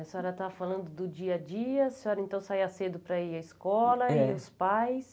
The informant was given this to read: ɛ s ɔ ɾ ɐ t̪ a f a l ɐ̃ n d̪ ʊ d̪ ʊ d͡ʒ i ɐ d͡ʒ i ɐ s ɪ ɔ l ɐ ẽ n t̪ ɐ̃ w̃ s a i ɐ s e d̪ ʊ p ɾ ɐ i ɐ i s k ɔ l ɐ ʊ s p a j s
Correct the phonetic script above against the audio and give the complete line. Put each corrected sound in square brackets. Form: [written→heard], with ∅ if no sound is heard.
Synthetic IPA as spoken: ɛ s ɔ ɾ ɐ t̪ a f a l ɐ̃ n d̪ ʊ d̪ ʊ d͡ʒ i ɐ d͡ʒ i ɐ s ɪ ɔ [l→ɾ] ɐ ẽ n t̪ ɐ̃ w̃ s a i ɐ s e d̪ ʊ p ɾ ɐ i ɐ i s k ɔ l ɐ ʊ s p a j s